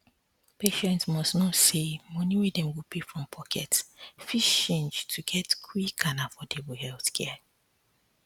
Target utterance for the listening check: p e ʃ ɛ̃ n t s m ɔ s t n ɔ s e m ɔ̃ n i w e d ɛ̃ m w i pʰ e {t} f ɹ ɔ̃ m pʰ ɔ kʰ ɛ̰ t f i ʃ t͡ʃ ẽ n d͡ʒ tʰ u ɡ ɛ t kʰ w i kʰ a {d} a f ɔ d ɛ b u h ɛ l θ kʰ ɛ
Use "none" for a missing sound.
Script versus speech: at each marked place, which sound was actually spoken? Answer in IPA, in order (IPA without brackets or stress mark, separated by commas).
none, n